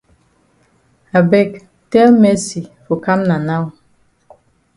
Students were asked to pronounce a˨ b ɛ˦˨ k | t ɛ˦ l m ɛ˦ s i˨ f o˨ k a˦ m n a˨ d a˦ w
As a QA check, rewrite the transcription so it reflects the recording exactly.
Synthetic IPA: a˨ b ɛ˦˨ k | t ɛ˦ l m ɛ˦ s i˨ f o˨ k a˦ m n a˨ n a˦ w